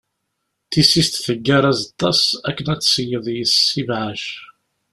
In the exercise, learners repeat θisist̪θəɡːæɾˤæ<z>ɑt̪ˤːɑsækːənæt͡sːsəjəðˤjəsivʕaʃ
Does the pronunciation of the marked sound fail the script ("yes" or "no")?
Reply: no